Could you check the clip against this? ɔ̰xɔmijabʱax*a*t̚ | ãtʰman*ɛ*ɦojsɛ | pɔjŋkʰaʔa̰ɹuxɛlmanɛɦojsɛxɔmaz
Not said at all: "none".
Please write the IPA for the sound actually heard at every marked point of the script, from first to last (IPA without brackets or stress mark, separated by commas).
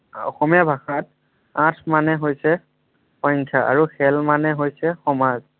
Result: a, ɛ